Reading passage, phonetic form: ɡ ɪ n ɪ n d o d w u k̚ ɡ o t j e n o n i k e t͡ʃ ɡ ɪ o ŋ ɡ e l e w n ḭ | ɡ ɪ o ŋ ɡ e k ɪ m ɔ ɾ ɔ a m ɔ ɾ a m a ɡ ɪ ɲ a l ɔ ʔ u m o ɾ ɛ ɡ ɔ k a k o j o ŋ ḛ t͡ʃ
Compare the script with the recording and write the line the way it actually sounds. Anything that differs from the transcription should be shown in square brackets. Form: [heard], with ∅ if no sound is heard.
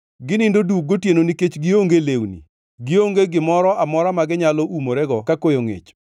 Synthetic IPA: ɡ ɪ n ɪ n d o d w u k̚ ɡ o t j e n o n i k e t͡ʃ ɡ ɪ o ŋ ɡ e l e w n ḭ | ɡ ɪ o ŋ ɡ e [ɡ] ɪ m ɔ ɾ ɔ a m ɔ ɾ a m a ɡ ɪ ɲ a l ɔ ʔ u m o ɾ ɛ ɡ ɔ k a k o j o ŋ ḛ t͡ʃ